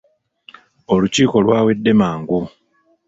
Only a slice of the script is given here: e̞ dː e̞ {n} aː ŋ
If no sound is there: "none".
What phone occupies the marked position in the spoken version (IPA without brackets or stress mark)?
m